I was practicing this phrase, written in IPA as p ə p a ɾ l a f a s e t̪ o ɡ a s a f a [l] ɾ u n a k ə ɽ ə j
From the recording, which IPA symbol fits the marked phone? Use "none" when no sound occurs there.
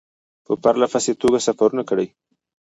none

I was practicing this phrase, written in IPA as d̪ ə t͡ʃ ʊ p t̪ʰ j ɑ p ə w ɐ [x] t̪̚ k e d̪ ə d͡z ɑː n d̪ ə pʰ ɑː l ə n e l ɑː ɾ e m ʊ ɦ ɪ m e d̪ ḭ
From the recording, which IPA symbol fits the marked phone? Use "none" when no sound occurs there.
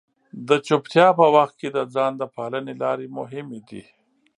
x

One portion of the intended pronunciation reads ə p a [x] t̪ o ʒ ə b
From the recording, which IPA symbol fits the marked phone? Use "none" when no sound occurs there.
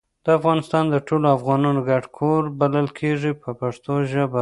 ʂ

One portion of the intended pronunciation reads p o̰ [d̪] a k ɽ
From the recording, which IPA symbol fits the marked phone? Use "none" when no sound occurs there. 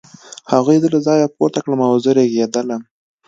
t̪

